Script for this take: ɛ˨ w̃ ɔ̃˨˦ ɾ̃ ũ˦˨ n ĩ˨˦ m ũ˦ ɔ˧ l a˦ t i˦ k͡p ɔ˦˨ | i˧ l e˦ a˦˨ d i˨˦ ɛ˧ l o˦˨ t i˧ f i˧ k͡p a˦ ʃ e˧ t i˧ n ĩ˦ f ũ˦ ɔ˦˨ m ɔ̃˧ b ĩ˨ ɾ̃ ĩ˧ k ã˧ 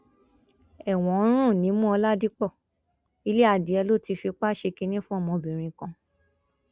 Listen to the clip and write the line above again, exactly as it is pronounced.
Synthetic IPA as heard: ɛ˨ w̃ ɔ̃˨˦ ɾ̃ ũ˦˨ n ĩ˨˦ m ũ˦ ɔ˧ l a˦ d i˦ k͡p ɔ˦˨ | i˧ l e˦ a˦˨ d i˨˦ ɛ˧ l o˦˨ t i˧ f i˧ k͡p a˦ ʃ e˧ k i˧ n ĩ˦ f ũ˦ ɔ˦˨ m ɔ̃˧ b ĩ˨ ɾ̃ ĩ˧ k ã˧